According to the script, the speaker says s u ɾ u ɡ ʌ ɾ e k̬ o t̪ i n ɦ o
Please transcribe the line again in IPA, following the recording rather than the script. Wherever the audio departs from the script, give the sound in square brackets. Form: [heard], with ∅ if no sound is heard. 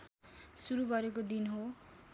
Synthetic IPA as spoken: s u ɾ u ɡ ʌ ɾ e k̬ o [d̪] i n ɦ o